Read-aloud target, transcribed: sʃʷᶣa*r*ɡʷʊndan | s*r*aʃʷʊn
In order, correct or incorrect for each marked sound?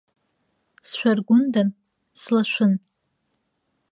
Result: correct, incorrect: l

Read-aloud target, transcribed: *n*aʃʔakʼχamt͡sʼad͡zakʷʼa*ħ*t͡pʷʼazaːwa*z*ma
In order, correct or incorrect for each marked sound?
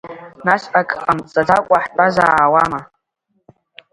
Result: correct, correct, incorrect: none

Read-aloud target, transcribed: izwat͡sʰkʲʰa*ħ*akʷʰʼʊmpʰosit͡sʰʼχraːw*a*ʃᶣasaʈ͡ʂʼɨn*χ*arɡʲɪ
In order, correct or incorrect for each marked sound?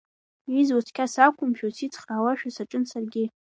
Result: incorrect: s, correct, incorrect: s

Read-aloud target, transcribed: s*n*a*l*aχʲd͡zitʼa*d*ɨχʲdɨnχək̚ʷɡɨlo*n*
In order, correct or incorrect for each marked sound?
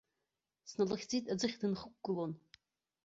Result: correct, correct, incorrect: d͡z, correct

